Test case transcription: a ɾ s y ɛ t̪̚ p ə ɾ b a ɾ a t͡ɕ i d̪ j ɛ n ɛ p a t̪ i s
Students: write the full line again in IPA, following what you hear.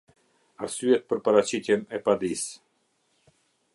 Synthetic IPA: a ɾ s y ɛ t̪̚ p ə ɾ p a ɾ a t͡ɕ i t̪ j ɛ n ɛ p a d̪ i s